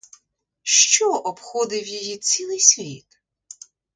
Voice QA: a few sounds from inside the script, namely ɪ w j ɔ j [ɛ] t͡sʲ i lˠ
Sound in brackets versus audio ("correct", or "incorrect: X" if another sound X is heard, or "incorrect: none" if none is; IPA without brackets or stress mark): incorrect: i